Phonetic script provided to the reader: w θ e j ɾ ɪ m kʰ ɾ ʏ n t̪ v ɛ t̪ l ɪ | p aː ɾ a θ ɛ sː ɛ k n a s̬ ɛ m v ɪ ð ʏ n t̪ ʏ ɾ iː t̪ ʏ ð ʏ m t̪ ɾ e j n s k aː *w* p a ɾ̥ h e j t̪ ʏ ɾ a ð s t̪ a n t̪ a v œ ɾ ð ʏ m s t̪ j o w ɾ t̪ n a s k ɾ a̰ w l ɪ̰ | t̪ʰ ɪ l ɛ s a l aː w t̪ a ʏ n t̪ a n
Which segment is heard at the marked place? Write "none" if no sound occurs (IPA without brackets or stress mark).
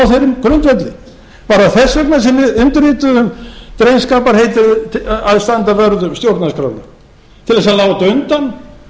none